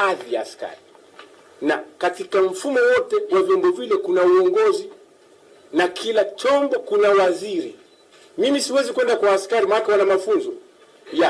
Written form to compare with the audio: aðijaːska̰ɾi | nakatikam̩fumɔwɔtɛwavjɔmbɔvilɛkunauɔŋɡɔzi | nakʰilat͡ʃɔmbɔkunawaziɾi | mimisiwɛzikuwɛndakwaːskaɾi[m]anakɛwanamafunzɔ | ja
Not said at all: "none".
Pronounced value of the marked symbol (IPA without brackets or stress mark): m